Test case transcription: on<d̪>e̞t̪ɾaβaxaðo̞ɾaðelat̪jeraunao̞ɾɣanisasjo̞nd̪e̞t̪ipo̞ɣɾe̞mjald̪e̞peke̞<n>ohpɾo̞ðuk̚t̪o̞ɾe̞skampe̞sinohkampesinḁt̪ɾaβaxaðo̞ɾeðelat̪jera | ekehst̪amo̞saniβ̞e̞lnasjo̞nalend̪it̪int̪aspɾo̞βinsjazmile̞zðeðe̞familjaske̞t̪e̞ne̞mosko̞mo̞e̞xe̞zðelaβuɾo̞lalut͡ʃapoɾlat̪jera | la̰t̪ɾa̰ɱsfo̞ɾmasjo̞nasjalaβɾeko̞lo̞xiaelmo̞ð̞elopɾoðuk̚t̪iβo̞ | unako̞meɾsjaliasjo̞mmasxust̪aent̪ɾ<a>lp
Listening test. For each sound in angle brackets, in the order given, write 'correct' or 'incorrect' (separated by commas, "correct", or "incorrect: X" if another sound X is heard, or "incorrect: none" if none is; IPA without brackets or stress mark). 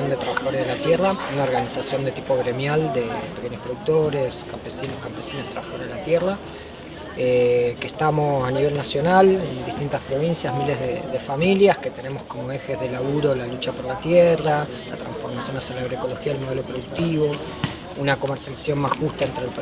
correct, incorrect: ɲ, incorrect: e